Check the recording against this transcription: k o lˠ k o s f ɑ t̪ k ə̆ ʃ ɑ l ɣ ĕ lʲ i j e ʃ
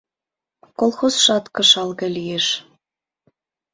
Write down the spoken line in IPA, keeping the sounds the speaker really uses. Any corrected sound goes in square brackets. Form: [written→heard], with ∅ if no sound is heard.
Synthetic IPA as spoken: k o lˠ [k→x] o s [f→ʃ] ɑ t̪ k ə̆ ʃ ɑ l ɣ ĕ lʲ i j e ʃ